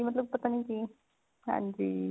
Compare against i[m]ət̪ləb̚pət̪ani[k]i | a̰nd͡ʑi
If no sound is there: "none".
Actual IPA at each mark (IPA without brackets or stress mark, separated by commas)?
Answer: m, k